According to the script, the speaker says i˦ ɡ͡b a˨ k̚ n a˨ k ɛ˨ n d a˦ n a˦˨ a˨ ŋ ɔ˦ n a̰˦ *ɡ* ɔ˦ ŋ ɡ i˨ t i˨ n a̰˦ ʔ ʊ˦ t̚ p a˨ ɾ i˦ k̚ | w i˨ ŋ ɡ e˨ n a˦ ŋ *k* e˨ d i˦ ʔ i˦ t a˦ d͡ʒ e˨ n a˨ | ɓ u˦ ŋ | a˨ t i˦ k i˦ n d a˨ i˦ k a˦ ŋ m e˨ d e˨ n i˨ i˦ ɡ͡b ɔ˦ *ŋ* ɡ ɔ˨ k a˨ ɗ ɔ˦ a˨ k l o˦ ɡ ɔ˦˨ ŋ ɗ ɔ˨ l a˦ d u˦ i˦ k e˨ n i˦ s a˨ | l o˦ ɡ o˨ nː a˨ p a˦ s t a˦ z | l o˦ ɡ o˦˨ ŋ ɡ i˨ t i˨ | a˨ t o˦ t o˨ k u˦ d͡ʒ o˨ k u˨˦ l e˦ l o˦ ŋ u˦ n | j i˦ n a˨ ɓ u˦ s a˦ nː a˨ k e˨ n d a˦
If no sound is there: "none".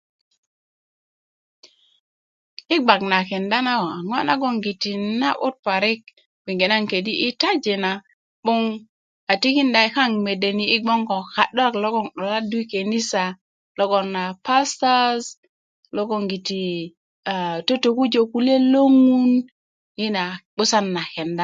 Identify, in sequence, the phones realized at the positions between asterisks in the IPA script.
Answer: ɡ, k, ŋ

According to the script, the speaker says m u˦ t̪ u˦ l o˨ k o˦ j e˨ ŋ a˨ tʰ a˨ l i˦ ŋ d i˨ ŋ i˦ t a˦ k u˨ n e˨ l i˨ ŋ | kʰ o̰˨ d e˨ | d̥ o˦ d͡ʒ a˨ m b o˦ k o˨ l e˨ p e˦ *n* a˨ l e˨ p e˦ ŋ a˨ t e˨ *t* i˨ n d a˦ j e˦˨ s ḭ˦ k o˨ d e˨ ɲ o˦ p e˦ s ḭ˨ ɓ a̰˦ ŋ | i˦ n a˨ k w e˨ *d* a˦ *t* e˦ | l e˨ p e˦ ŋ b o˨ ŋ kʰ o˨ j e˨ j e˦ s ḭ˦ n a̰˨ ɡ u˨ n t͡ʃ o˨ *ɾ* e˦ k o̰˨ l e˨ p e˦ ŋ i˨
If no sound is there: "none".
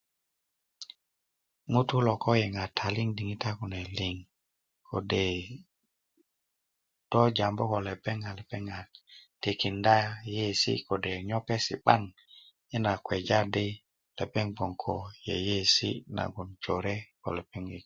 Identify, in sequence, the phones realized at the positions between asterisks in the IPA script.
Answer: ŋ, k, d͡ʒ, d, ɾ

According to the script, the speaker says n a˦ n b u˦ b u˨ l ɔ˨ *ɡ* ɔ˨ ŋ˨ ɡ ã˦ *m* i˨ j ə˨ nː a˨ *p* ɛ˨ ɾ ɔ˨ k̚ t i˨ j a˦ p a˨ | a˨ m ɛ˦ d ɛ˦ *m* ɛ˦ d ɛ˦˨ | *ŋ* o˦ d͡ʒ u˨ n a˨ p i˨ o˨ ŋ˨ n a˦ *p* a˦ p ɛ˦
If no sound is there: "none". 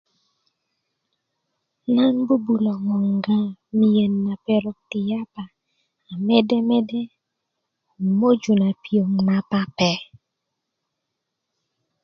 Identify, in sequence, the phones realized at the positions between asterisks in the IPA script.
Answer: ŋ, m, p, m, m, p

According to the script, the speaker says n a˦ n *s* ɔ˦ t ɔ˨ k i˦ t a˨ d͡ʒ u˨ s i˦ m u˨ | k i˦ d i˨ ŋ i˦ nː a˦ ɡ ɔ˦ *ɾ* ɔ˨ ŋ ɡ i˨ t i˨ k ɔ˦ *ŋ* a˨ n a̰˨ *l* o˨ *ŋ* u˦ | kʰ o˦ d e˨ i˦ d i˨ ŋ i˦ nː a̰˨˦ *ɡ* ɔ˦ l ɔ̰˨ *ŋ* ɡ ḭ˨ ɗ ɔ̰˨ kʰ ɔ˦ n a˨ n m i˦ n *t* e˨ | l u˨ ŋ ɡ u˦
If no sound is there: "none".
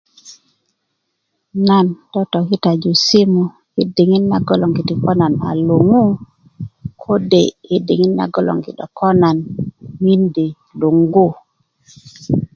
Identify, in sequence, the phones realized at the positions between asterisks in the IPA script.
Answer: t, l, n, l, ŋ, ɡ, ŋ, d

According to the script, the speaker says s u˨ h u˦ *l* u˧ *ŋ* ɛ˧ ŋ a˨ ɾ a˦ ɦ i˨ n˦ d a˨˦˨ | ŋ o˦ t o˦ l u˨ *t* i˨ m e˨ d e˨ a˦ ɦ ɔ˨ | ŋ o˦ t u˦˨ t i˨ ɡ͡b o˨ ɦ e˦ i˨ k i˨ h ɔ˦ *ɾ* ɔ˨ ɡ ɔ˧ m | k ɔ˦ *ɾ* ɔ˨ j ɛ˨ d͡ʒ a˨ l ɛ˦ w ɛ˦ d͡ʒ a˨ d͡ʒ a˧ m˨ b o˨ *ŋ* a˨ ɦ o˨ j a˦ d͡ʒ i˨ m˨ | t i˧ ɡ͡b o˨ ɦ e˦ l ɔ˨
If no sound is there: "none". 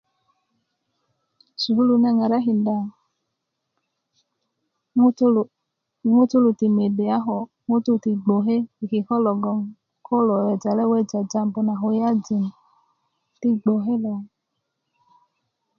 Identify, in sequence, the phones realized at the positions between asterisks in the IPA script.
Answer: l, n, t, l, l, n

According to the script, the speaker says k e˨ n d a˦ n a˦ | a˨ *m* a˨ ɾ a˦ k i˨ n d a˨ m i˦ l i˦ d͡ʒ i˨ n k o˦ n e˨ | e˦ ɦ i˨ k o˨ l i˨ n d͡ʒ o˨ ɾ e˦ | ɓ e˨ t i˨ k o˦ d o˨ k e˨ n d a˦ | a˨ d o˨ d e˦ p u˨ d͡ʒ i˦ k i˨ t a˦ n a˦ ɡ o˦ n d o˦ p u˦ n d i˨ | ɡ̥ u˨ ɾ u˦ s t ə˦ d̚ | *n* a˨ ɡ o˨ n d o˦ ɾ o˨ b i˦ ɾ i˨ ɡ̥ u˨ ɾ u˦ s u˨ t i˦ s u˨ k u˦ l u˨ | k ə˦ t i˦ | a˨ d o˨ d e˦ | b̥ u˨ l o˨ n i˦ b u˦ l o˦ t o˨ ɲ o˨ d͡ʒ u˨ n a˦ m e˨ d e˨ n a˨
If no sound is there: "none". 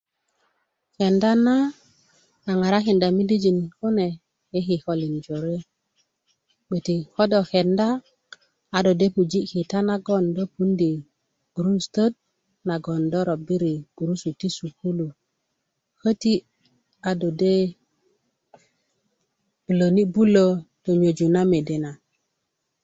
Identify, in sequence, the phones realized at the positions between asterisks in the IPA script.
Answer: ŋ, n

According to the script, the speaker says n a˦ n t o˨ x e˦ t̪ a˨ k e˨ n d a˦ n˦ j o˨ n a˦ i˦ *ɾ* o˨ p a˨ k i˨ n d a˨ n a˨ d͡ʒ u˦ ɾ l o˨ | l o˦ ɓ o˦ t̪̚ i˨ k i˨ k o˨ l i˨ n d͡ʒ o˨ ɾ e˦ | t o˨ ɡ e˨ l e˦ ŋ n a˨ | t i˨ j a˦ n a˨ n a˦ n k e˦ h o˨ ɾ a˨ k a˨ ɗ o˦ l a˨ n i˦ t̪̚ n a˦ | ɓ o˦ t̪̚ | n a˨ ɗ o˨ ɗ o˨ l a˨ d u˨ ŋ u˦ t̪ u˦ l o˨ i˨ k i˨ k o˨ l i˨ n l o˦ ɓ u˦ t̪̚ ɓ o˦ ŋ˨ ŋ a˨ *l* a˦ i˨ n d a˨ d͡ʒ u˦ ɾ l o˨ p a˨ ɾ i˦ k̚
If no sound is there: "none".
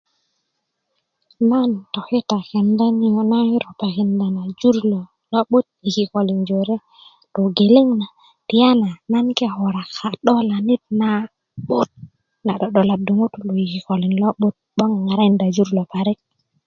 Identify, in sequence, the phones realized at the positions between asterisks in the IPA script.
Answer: ɾ, ɾ

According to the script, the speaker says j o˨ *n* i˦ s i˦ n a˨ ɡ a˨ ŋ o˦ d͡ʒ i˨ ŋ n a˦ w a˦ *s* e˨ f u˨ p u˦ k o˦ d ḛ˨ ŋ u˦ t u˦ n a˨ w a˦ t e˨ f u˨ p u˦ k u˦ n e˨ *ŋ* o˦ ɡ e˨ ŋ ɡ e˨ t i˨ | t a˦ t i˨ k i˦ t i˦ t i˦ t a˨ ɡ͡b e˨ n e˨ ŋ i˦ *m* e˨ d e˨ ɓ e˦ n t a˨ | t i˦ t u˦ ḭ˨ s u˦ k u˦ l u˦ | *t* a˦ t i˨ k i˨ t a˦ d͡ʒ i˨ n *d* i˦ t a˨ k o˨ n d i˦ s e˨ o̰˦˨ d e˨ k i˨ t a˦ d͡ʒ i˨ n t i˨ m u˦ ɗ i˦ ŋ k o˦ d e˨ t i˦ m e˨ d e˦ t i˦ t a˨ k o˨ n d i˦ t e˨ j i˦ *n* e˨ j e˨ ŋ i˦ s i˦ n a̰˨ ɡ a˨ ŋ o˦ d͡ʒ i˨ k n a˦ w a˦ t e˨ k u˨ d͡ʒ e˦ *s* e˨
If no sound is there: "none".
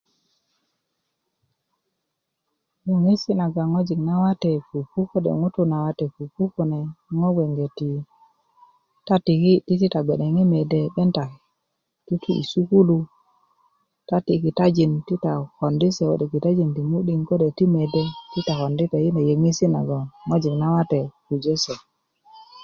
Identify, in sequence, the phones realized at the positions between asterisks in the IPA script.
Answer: ŋ, t, ŋ, m, t, t, n, s

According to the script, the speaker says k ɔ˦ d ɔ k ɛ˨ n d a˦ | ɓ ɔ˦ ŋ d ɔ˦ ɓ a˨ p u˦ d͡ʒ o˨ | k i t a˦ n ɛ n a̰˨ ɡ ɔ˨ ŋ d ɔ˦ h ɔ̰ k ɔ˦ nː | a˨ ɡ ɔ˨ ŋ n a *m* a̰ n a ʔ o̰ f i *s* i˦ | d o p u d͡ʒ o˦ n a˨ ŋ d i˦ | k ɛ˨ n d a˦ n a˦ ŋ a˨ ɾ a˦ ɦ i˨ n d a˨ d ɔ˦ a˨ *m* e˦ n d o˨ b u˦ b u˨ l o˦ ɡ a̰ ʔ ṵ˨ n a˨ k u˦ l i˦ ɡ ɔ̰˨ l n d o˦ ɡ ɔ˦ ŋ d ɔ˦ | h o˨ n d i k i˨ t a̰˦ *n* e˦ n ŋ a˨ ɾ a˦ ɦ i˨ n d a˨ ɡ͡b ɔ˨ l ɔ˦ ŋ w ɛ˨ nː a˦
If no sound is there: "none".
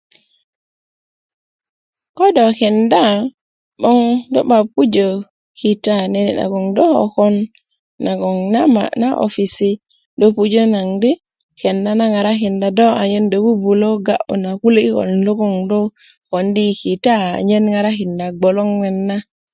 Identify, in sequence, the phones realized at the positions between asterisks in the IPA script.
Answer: m, s, ɲ, ɲ

